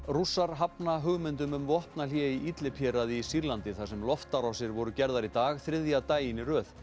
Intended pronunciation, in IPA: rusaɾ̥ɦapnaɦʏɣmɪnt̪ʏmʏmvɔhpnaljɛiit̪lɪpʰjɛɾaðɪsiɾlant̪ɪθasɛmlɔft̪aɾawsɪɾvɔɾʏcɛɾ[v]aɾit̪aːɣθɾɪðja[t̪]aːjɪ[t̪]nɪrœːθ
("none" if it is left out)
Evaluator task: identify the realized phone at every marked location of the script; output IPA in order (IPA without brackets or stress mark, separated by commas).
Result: ð, t̪, none